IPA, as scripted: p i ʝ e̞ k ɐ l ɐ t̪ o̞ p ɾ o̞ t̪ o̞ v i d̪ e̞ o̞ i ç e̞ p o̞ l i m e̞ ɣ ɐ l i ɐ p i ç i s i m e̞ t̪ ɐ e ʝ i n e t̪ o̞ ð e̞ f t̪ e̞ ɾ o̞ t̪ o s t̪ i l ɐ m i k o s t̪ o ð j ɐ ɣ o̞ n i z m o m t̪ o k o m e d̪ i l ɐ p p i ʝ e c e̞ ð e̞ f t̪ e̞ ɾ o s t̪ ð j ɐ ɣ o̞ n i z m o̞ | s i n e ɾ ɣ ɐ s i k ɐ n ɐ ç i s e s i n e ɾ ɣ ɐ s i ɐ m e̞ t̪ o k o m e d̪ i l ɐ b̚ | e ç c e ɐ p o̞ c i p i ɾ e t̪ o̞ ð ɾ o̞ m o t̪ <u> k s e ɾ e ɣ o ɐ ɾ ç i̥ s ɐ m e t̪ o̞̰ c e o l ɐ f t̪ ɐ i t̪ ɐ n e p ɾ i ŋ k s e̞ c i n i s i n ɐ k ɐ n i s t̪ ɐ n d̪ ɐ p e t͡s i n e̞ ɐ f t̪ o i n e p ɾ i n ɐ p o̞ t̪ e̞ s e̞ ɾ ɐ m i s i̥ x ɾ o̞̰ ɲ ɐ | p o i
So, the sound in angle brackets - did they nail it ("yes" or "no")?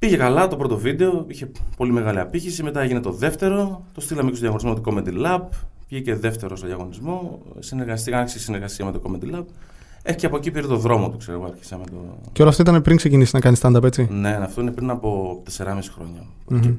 yes